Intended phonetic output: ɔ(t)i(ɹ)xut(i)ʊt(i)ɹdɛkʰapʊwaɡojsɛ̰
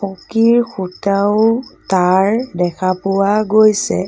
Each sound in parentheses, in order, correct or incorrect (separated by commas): incorrect, correct, incorrect, incorrect